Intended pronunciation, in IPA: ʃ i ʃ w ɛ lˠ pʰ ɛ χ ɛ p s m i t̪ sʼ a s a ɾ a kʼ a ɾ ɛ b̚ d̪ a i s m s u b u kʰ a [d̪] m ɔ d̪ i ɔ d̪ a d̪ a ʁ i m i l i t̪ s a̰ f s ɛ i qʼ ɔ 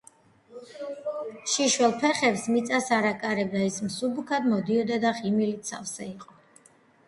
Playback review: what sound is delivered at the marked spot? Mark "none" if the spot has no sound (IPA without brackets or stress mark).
d̪